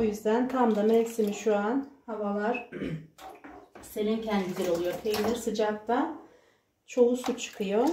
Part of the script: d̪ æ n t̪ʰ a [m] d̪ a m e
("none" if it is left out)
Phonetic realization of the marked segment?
m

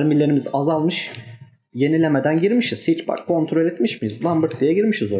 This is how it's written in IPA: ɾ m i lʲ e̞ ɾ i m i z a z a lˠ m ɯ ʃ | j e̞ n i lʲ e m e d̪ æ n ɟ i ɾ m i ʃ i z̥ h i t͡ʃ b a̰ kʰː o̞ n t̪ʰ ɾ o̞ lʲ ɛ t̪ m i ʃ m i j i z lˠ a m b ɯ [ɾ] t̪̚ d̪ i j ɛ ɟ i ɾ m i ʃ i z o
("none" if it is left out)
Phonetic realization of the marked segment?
ɾ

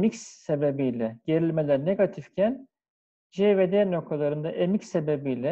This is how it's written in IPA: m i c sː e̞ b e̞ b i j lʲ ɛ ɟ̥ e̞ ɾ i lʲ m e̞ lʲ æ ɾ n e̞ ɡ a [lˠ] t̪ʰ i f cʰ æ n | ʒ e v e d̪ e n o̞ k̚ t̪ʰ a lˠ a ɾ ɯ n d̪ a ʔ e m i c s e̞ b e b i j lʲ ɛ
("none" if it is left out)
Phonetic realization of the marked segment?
none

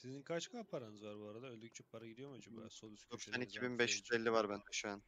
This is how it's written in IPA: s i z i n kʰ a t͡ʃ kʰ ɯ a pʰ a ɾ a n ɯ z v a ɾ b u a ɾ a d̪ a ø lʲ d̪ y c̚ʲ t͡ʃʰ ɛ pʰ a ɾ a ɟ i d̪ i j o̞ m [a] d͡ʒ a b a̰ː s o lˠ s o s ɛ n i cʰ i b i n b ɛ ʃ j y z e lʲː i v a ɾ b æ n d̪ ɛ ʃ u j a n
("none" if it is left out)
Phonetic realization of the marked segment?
a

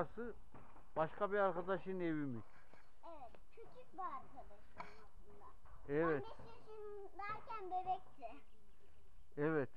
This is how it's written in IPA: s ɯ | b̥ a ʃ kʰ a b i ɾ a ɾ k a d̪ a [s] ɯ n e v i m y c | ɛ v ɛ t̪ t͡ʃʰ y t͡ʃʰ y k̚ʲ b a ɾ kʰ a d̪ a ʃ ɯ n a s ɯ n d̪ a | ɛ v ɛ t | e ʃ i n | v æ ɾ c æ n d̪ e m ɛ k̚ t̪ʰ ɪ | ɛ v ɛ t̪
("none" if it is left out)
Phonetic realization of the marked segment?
ʃ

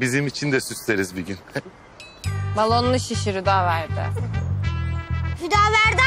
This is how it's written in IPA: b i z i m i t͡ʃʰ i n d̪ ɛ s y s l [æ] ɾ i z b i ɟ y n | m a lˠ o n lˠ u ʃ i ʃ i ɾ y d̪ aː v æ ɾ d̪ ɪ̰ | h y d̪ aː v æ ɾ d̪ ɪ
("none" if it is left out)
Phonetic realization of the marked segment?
e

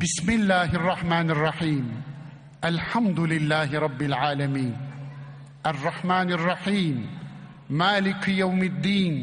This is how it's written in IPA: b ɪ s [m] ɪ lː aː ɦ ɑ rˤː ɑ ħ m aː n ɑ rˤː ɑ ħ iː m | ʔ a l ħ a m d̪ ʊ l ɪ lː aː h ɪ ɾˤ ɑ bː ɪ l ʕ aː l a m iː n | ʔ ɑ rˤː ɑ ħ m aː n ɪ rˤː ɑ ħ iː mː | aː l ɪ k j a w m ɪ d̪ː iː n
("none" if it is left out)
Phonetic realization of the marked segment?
m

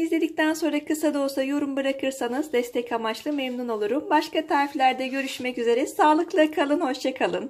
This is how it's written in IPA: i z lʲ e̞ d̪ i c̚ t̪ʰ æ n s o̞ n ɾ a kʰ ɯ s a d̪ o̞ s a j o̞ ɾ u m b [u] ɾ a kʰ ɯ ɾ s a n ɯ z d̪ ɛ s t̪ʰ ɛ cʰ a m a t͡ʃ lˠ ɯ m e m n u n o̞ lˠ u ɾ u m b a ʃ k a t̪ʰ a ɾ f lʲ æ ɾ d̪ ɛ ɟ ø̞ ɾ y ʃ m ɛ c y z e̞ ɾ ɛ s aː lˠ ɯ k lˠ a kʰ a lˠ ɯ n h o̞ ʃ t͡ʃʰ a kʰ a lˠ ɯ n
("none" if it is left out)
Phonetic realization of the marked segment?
ɯ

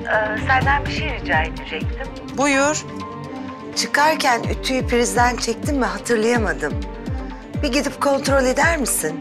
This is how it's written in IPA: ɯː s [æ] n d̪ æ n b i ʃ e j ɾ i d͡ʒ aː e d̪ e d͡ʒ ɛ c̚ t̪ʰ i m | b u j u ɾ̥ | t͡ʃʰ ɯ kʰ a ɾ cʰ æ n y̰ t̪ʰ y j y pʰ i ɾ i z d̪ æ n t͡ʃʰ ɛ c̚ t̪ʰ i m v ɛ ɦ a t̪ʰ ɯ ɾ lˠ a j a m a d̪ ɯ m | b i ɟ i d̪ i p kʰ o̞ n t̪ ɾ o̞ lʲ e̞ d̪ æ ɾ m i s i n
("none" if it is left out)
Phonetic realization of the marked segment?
æ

